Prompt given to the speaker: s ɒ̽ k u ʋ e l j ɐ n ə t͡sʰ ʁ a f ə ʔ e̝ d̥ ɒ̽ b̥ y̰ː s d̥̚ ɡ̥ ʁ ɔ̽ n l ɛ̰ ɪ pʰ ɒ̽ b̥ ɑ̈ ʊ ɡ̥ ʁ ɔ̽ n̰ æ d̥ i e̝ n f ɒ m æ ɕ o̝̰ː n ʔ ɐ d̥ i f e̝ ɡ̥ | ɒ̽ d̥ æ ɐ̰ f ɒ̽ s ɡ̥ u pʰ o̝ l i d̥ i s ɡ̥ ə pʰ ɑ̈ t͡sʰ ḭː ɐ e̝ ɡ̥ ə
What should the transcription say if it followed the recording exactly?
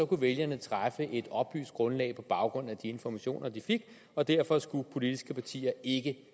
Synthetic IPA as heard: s ɒ̽ k u ʋ e l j ɐ n ə t͡sʰ ʁ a f ə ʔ e̝ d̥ ɒ̽ b̥ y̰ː s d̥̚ ɡ̥ ʁ ɔ̽ n l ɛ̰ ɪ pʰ ɒ̽ b̥ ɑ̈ ʊ ɡ̥ ʁ ɔ̽ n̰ æ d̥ i e̝ n f ɒ m æ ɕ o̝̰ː n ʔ ɐ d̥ i f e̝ ɡ̥ | ɒ̽ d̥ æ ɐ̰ f ɒ̽ s ɡ̥ u pʰ o̝ l i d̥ i s ɡ̥ ə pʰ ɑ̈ t͡sʰ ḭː ɐ e̝ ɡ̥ ə